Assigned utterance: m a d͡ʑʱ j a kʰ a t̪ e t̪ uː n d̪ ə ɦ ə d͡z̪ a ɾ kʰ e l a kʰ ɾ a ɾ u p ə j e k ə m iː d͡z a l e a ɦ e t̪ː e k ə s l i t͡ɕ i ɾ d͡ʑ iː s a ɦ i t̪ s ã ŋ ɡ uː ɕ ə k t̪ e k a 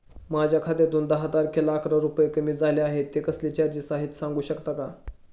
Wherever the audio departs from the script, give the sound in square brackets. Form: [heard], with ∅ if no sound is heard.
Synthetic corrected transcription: m a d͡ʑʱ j a kʰ a t̪ e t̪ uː n d̪ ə ɦ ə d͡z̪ a ɾ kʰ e l a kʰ ɾ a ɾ u p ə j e k ə m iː d͡z a l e a ɦ e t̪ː e k ə s l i t͡ɕ [a] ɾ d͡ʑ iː s a ɦ i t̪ s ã ŋ ɡ uː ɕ ə k t̪ [a] k a